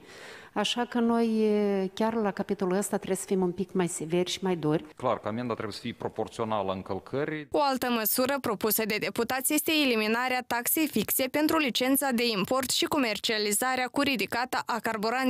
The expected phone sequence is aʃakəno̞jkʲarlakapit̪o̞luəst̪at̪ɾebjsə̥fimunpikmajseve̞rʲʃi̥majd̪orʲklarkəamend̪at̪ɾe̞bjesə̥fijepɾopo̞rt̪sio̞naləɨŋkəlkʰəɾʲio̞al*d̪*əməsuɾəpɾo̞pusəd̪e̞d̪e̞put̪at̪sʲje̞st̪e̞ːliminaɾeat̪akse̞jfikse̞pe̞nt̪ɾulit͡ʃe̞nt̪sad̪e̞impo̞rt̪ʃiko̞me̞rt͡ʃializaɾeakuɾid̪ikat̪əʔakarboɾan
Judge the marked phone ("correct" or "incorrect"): incorrect